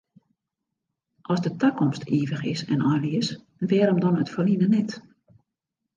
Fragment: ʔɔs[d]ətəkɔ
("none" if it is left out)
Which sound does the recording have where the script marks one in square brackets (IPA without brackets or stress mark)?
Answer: d